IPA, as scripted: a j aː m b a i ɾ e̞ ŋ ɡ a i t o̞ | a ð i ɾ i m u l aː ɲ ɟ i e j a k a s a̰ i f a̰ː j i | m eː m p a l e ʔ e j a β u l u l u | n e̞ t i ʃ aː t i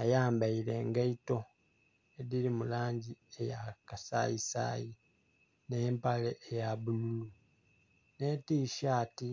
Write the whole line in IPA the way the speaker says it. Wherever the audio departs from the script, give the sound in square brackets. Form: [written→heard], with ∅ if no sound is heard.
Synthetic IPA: a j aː m b a i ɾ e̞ ŋ ɡ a i t o̞ | [a→e] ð i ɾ i m u l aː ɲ ɟ i e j a k a s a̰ i [f→s] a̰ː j i | [m→n] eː m p a l e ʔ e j a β u l u l u | n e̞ t i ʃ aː t i